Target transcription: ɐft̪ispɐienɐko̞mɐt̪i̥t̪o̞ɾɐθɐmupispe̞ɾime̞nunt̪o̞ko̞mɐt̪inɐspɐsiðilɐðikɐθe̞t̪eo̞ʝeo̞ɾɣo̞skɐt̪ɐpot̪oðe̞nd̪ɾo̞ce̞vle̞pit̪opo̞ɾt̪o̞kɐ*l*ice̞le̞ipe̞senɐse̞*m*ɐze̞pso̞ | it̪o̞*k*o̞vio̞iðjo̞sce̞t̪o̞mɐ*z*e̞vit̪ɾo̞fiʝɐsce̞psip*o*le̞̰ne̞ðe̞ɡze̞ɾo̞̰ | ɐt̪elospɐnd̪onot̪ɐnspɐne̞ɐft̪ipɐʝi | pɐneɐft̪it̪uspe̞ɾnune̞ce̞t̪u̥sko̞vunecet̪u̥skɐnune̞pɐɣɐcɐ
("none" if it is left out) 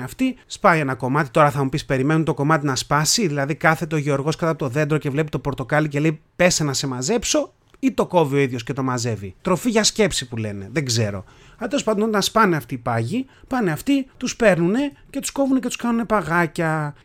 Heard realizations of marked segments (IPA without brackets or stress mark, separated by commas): l, m, k, z, u